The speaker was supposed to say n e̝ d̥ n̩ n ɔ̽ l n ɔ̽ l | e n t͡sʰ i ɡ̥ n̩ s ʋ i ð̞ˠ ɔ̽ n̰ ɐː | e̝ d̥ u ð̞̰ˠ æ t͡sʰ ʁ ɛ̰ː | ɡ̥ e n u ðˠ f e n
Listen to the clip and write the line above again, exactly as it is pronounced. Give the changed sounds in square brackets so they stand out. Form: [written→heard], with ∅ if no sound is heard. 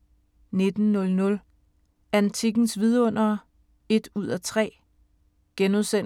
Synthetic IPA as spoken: n e̝ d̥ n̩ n ɔ̽ l n ɔ̽ l | [e→æ] n t͡sʰ i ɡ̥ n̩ s ʋ i ð̞ˠ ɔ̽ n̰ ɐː | e̝ d̥ u ð̞̰ˠ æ t͡sʰ ʁ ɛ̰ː | ɡ̥ e n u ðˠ [f→s] e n

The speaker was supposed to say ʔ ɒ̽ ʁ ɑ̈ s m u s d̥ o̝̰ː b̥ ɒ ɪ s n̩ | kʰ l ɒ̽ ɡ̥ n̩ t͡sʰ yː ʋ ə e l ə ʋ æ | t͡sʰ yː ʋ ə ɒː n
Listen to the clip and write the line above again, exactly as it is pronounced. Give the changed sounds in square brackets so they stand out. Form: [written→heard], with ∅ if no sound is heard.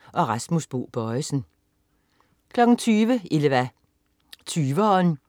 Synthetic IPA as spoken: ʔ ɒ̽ ʁ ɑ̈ s m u s [d̥→b̥] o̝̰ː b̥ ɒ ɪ s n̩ | kʰ l ɒ̽ ɡ̥ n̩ t͡sʰ yː ʋ ə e l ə ʋ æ | t͡sʰ yː ʋ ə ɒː n

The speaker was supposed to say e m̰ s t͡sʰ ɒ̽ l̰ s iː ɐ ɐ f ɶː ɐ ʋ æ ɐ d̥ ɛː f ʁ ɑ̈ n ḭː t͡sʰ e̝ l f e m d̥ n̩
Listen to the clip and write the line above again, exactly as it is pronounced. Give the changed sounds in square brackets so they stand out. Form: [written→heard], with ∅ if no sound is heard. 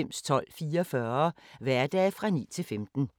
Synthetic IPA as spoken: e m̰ s t͡sʰ ɒ̽ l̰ [s→f] iː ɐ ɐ f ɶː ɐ ʋ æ ɐ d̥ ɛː f ʁ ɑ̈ n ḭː t͡sʰ e̝ l f e m d̥ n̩

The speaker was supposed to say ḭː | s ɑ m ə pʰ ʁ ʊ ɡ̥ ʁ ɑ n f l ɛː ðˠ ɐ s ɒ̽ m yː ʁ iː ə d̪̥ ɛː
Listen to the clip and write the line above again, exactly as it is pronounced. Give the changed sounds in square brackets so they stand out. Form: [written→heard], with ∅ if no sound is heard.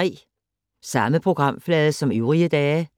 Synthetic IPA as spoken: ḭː | s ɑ m ə pʰ ʁ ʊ ɡ̥ ʁ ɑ [n→m] f l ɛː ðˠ [ɐ→ə] s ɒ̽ m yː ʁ [iː→i] ə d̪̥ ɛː

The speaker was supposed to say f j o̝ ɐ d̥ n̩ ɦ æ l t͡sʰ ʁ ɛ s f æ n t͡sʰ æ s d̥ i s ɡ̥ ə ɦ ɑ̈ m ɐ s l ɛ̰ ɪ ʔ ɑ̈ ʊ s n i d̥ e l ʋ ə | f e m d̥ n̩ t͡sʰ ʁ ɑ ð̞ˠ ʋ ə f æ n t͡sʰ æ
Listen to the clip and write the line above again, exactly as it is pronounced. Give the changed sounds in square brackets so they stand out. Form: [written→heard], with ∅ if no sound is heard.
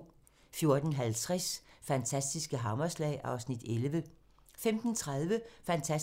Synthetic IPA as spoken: f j o̝ ɐ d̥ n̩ ɦ æ l t͡sʰ ʁ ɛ s f æ n t͡sʰ æ s d̥ i s ɡ̥ ə ɦ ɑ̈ m ɐ s l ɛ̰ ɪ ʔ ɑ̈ ʊ s n i d̥ e l ʋ ə | f e m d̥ n̩ t͡sʰ ʁ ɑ ð̞ˠ ʋ ə f æ n t͡sʰ æ

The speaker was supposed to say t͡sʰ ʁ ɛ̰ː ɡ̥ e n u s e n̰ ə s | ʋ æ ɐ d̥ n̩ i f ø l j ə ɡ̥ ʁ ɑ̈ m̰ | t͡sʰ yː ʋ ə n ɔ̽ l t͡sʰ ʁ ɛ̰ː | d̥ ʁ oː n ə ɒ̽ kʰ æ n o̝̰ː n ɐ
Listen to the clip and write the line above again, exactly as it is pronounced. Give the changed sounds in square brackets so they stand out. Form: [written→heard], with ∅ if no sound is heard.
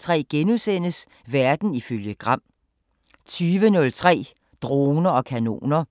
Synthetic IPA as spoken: t͡sʰ ʁ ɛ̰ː ɡ̥ e n u s e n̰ ə s | ʋ æ ɐ d̥ n̩ i f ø l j ə ɡ̥ ʁ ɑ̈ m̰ | t͡sʰ yː ʋ ə n ɔ̽ l t͡sʰ ʁ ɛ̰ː | d̥ ʁ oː n [ə→ɐ] ɒ̽ kʰ æ n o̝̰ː n ɐ

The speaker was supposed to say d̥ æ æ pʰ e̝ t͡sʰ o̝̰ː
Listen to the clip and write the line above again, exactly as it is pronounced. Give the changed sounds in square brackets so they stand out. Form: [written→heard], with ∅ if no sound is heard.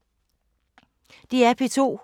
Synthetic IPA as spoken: d̥ [æ→i] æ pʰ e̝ t͡sʰ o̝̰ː

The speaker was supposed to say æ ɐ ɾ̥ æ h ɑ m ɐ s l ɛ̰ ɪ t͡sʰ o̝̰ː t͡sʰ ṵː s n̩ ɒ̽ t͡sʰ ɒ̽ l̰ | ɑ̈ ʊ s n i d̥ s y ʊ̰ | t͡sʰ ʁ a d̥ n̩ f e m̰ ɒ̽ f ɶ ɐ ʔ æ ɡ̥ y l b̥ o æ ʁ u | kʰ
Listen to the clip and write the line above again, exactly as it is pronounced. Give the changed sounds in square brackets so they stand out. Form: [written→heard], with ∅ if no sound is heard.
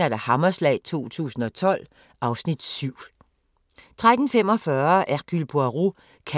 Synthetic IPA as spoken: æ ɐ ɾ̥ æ h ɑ m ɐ s l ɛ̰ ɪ t͡sʰ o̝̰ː t͡sʰ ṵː s n̩ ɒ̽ t͡sʰ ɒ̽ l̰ | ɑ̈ ʊ s n i d̥ s y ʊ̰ | t͡sʰ ʁ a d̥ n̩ f e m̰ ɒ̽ f ɶ ɐ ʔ æ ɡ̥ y l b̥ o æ ʁ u | kʰ

